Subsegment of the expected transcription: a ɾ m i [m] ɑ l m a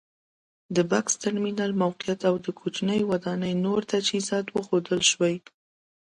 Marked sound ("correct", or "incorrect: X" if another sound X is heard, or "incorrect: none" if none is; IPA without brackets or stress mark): incorrect: n